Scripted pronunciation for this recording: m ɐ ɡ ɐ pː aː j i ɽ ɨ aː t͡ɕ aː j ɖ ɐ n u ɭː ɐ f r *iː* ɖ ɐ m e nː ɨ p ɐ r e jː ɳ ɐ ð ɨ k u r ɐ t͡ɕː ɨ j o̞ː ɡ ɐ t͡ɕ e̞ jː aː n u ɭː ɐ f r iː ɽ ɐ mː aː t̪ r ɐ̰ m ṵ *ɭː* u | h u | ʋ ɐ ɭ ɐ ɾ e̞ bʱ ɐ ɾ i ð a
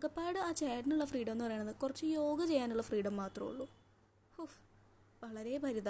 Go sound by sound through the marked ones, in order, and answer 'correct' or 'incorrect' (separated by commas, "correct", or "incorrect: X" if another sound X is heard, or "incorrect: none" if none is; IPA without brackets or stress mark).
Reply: correct, correct